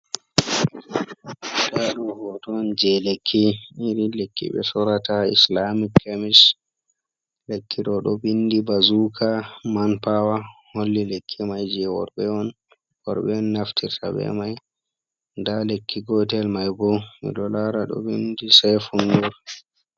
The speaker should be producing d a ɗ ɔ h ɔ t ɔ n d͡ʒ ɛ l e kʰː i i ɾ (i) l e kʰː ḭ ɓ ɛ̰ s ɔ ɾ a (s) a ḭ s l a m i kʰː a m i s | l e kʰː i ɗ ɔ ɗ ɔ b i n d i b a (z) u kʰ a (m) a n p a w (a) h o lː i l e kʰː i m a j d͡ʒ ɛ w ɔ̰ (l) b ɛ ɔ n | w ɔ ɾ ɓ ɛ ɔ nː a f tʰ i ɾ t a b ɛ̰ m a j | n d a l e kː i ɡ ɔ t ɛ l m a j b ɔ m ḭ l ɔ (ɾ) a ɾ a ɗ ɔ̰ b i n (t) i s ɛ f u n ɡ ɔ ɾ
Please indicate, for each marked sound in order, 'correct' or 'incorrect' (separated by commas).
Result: correct, incorrect, correct, correct, correct, incorrect, incorrect, incorrect